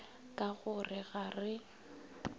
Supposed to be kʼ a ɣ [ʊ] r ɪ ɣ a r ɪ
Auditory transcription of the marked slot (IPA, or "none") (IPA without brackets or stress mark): ʊ